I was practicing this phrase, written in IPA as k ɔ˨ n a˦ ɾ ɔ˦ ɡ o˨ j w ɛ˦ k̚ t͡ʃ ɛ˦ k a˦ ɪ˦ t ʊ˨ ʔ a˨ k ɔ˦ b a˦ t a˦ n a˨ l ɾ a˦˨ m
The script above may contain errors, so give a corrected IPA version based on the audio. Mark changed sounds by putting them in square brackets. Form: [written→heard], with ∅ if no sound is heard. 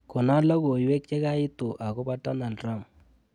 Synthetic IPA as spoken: k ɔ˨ n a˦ [ɾ→l] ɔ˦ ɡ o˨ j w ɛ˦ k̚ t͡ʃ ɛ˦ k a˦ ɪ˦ t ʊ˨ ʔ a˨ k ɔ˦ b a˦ t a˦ n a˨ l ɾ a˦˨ m